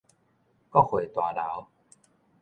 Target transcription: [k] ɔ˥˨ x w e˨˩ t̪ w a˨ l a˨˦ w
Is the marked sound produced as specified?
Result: yes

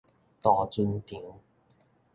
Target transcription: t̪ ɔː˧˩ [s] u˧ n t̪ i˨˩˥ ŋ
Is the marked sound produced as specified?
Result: no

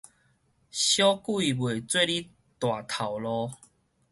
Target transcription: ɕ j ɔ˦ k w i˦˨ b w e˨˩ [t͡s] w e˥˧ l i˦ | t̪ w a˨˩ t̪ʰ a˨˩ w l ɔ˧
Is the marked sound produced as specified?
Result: yes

